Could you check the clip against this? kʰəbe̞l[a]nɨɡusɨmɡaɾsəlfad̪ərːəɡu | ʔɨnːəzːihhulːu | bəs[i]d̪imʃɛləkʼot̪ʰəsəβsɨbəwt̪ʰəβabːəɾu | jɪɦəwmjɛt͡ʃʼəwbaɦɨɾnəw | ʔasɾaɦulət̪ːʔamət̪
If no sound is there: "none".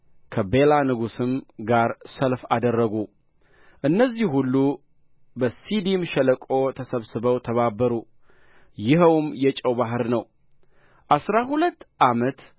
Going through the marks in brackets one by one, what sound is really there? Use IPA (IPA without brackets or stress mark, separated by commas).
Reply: a, i